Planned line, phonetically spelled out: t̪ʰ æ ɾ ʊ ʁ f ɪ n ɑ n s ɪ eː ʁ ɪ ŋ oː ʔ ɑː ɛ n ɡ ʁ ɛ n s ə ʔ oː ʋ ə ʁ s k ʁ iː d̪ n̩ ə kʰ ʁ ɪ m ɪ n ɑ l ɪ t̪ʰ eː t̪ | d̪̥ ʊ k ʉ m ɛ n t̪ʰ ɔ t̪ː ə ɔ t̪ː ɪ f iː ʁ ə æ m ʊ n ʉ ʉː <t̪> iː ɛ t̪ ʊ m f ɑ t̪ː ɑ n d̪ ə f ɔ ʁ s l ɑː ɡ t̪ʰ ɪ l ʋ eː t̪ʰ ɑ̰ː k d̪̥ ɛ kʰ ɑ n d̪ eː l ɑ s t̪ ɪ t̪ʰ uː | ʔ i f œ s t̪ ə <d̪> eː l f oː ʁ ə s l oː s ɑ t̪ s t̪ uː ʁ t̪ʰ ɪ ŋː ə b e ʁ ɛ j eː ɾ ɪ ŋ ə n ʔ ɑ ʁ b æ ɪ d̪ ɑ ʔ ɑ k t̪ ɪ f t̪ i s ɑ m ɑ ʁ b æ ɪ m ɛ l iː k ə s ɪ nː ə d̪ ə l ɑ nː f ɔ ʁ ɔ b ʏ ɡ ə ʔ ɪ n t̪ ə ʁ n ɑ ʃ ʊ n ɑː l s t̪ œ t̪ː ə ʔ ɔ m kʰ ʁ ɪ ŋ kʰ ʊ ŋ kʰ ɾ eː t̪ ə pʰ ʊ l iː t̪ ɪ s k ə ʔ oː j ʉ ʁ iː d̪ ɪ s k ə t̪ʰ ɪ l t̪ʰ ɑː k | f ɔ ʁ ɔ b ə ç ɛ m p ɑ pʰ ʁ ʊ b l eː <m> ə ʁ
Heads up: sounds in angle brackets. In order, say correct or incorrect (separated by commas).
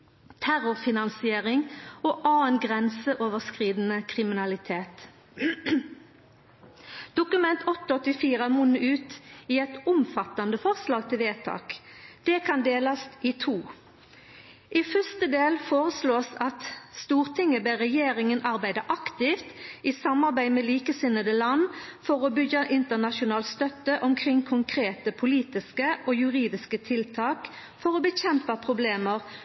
correct, correct, correct